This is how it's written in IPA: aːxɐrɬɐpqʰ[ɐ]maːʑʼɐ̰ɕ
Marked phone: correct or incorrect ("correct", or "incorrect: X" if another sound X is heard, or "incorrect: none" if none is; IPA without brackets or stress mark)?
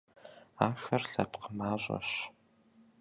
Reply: incorrect: ə